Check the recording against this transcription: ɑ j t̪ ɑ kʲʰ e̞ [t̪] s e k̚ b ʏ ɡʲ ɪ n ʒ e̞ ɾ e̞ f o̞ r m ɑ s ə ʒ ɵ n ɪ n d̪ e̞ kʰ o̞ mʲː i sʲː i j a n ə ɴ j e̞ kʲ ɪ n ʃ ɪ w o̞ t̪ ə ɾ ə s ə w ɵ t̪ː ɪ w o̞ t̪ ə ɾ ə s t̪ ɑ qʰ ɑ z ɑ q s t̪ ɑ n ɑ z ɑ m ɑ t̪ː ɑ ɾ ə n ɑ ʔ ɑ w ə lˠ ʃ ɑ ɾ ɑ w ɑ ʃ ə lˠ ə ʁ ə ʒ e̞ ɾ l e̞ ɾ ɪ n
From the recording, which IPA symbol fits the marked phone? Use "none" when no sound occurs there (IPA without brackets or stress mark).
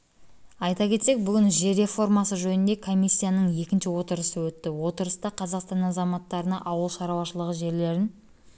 t̪